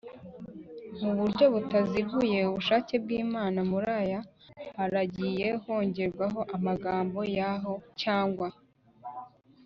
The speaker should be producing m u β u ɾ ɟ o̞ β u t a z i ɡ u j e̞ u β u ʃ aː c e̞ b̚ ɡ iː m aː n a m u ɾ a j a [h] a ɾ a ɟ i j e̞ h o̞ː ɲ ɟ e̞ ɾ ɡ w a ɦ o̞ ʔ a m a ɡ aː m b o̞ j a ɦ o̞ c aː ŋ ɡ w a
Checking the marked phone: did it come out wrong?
no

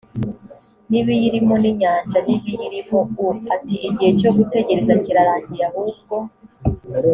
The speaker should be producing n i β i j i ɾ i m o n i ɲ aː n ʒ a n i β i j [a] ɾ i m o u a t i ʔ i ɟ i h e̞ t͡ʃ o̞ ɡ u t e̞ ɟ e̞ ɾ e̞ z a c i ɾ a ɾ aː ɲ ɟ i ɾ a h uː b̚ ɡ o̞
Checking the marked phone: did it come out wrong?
yes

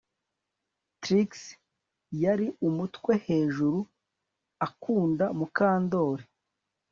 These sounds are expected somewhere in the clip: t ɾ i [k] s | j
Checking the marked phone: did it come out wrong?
no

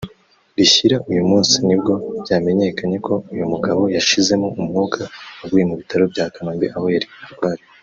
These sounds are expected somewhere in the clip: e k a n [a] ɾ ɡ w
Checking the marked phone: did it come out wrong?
no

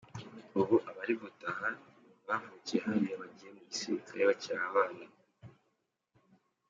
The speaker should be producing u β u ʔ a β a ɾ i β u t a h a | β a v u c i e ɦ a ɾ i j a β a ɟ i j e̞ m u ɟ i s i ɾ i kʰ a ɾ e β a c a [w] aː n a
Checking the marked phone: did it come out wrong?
yes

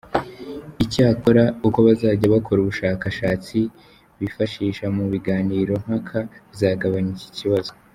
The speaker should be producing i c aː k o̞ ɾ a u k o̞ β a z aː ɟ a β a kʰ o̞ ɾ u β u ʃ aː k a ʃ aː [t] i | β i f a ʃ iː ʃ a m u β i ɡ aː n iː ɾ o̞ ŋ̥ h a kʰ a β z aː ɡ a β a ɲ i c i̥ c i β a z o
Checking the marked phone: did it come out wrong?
yes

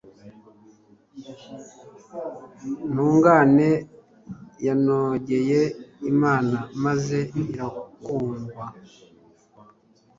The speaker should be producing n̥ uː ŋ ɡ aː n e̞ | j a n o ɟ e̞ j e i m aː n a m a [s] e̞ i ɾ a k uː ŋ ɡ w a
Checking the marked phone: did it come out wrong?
yes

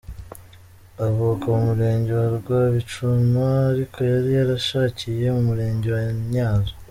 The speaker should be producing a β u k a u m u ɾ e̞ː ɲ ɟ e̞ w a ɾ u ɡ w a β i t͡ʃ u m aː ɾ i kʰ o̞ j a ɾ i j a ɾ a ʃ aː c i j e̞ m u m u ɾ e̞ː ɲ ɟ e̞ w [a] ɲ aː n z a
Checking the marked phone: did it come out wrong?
no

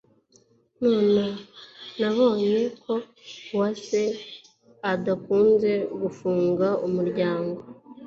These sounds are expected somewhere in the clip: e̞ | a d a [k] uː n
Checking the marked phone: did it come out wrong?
no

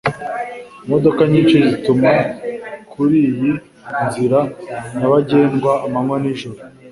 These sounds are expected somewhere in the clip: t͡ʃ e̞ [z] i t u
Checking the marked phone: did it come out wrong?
no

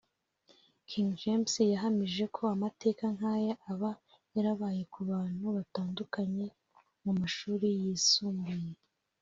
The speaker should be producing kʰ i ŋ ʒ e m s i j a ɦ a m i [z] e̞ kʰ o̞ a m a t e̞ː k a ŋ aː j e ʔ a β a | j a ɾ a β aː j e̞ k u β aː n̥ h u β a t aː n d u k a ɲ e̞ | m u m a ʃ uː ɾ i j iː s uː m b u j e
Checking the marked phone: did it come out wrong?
yes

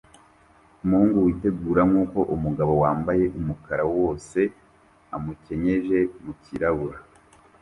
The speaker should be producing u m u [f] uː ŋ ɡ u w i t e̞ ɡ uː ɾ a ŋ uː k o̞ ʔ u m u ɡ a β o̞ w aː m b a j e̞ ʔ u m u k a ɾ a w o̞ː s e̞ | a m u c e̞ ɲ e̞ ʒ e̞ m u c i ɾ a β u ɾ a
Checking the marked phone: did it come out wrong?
yes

